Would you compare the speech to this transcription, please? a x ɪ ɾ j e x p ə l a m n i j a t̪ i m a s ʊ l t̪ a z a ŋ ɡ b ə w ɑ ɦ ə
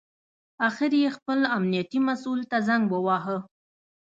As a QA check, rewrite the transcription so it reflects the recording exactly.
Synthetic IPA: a x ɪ ɾ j e x p ə l a m n i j a t̪ i m a s u l t̪ a z a ŋ ɡ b ə w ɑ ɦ ə